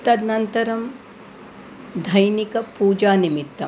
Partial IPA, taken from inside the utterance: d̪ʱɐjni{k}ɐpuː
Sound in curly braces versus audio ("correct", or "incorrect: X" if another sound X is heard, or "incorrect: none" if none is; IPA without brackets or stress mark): correct